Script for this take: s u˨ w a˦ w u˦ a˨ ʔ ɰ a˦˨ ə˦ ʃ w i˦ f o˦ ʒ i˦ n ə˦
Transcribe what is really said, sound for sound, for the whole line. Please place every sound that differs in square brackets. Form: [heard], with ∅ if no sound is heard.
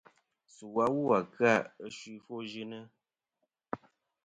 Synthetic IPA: s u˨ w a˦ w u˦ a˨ [k] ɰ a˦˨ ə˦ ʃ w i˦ f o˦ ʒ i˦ n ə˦